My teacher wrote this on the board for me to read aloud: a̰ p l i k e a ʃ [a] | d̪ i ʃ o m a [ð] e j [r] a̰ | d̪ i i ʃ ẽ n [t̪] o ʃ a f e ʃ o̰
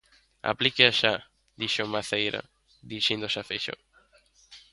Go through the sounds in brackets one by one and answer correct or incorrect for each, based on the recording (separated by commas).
correct, incorrect, incorrect, incorrect